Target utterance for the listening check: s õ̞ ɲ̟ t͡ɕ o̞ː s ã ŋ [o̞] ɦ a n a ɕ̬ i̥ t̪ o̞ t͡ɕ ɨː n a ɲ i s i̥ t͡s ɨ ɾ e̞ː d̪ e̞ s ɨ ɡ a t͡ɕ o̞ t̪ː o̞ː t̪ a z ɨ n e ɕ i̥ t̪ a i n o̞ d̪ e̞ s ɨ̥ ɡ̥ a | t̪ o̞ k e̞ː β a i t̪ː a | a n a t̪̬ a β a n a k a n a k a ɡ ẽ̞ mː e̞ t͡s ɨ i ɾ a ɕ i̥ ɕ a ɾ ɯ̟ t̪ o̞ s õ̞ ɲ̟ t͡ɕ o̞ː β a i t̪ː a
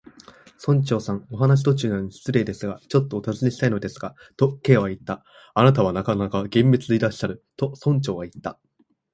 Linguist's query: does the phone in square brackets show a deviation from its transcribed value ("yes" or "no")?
no